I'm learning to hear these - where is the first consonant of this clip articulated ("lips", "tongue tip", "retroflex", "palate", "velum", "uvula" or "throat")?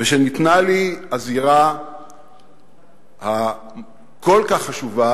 lips